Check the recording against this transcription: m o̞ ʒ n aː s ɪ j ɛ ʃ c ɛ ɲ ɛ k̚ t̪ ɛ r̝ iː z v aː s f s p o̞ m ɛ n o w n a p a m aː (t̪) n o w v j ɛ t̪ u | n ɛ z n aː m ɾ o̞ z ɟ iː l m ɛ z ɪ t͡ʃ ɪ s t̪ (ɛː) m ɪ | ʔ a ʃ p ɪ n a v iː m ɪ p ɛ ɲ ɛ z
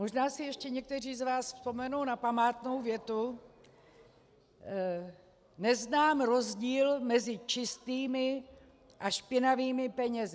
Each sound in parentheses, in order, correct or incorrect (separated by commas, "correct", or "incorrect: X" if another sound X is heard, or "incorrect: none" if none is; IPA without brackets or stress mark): correct, incorrect: iː